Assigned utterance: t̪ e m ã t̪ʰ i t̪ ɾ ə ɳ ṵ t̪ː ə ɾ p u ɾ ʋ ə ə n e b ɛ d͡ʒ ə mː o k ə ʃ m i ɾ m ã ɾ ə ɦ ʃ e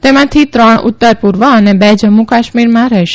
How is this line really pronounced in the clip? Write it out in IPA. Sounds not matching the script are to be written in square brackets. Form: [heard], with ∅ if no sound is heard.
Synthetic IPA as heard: t̪ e m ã t̪ʰ i t̪ ɾ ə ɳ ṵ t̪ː ə ɾ p u ɾ ʋ ə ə n e b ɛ d͡ʒ ə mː [u] k [a] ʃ m i ɾ m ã ɾ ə ɦ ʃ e